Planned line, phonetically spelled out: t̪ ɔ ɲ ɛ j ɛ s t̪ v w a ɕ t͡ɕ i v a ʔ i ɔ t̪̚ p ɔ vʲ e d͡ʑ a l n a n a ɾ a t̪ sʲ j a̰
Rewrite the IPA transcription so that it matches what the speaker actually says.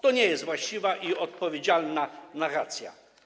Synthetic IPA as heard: t̪ ɔ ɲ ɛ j ɛ s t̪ v w a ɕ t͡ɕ i v a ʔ i ɔ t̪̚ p ɔ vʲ e d͡ʑ a l n a n a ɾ a t̪ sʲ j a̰